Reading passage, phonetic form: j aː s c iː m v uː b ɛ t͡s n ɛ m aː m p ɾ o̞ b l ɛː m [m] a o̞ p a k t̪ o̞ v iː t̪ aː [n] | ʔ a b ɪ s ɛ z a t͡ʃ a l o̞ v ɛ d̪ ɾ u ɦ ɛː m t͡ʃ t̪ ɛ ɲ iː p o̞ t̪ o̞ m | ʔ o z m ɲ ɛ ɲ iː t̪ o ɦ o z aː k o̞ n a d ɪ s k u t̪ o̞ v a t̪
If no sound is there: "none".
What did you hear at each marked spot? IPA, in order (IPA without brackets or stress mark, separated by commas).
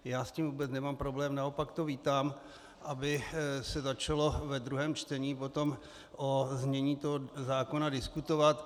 n, m